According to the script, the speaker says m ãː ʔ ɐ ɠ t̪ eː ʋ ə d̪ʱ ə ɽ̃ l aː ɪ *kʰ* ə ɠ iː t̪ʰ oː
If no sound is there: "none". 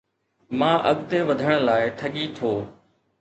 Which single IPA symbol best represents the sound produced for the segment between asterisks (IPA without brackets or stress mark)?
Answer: ʈʰ